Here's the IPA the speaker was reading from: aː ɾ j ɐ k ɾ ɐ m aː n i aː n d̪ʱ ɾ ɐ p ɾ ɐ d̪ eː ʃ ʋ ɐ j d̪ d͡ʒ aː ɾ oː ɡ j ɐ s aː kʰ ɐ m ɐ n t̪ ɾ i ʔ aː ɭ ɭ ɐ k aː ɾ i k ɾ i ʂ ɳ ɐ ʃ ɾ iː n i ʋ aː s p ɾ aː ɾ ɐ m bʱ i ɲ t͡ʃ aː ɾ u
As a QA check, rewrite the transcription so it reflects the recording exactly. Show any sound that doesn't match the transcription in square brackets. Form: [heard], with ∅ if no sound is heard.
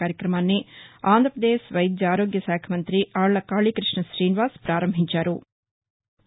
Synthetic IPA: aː ɾ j ɐ k ɾ ɐ m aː [nː] i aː n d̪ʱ ɾ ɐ p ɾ ɐ d̪ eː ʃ ʋ ɐ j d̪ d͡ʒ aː ɾ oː ɡ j ɐ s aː kʰ ɐ m ɐ n t̪ ɾ i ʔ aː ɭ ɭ ɐ k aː [ɭ] i k ɾ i ʂ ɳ ɐ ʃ ɾ iː n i ʋ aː s p ɾ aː ɾ ɐ m bʱ i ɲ t͡ʃ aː ɾ u